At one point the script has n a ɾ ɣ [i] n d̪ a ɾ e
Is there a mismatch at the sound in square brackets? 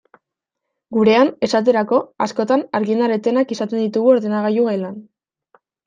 no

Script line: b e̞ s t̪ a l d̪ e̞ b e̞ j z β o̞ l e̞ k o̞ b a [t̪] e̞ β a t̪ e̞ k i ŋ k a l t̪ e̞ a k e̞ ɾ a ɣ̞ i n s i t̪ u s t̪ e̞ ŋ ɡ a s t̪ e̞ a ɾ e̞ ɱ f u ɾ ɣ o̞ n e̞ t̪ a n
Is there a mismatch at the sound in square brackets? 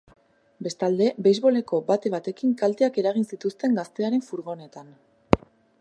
no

